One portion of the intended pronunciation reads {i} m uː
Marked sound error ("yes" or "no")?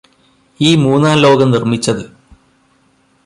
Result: yes